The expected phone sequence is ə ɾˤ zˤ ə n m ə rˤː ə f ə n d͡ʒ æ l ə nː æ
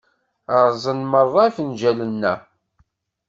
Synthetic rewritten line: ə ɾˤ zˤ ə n m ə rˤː ɑ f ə n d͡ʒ æ l ə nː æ

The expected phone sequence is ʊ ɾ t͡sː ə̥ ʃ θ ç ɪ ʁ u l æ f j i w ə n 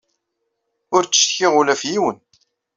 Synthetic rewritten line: ʊ ɾ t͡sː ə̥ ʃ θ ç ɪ ʁ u l æ f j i w ə n

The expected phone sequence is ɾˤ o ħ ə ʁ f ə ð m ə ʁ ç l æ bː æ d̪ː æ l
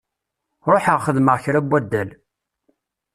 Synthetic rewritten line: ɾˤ o ħ ə ʁ χ ə ð m ə ʁ ç ɾ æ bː æ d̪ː æ l

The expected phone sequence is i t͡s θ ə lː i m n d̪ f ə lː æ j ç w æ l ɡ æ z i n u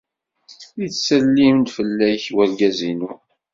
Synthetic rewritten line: i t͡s s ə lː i m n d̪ f ə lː æ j ç w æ l ɡ æ z i n u

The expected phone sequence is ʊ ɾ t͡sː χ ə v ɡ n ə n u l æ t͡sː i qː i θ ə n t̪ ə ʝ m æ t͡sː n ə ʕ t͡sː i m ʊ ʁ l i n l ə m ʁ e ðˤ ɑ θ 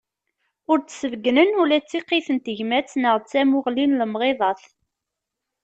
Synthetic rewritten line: ʊ ɾ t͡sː s ə v ɡ n ə n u l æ t͡sː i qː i θ ə n t̪ ə ʝ m æ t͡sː n ə ʁ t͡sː æ m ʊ ʁ l i n l ə m ʁ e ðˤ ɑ θ

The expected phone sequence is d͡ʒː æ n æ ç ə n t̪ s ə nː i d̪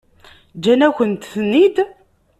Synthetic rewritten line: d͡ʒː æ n æ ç ə n t̪ θ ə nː i d̪

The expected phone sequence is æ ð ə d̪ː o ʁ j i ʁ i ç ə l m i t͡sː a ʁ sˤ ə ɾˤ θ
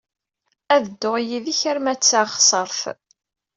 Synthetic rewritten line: æ ð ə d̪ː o ʁ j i ð i ç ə ɾ m æ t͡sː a χ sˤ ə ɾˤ θ

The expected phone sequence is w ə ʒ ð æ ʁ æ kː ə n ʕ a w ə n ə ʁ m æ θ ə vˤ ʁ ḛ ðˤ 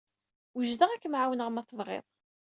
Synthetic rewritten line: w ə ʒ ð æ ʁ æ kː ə m ʕ a w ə n ə ʁ m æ θ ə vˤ ʁ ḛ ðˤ

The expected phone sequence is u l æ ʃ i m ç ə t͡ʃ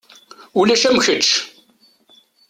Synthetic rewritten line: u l æ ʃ æ m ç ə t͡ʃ

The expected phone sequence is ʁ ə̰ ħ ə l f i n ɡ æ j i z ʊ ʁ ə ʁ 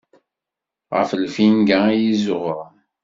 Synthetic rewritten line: ʁ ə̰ f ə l f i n ɡ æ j i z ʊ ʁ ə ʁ

